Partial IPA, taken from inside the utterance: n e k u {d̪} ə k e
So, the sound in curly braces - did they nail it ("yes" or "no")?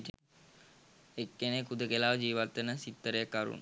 yes